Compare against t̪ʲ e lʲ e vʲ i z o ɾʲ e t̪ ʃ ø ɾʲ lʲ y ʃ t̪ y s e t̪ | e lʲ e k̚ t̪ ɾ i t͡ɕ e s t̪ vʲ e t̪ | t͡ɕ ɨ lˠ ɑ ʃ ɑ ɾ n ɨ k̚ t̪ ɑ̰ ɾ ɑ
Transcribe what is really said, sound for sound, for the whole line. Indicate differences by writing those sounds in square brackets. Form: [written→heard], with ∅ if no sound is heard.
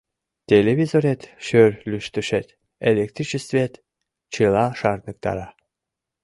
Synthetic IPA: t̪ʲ e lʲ e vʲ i z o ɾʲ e t̪ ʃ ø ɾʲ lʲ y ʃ t̪ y [s→ʃ] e t̪ | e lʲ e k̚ t̪ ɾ i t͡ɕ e s t̪ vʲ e t̪ | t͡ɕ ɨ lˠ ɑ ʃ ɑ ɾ n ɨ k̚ t̪ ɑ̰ ɾ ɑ